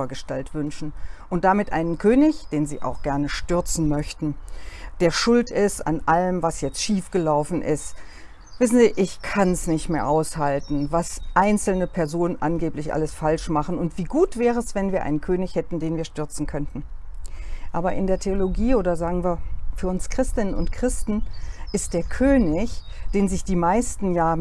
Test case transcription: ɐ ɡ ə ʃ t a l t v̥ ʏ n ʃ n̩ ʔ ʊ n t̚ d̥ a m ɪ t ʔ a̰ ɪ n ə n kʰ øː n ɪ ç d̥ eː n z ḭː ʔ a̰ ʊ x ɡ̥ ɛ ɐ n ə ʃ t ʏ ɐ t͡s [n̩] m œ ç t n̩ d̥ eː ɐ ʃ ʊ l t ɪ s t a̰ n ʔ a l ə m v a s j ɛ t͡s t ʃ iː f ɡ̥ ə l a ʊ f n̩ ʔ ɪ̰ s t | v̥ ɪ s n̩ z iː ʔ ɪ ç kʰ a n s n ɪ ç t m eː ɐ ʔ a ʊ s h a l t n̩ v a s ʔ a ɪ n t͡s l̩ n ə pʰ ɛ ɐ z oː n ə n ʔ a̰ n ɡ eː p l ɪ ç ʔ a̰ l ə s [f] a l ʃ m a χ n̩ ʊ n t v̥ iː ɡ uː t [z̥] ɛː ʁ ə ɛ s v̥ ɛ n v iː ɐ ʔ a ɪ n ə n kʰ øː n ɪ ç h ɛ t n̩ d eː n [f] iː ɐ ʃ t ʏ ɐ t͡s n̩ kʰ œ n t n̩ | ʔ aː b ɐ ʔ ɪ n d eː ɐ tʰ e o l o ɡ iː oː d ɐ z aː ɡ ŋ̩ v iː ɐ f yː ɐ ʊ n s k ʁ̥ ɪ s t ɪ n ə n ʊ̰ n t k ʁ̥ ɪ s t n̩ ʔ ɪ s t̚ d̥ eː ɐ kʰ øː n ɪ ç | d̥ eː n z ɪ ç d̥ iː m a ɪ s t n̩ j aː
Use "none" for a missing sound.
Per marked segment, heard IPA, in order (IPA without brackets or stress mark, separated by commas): n̩, f, v̥, v